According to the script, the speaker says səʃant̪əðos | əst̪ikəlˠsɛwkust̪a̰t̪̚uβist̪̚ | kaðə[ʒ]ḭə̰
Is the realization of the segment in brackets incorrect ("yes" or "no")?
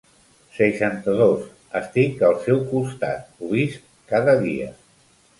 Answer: yes